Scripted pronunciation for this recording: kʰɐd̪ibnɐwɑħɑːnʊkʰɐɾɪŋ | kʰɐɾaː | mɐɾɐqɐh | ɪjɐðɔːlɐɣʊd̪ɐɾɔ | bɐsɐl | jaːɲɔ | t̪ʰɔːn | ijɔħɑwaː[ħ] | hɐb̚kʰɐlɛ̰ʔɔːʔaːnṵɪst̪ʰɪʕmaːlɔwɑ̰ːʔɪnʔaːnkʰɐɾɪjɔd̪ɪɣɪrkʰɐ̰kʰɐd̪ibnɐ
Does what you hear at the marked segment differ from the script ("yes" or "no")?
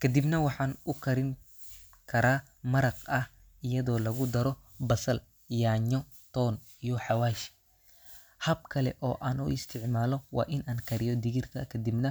yes